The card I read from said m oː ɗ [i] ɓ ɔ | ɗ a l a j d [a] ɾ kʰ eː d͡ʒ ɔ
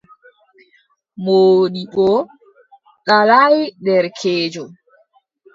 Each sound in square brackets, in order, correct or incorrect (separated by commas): correct, incorrect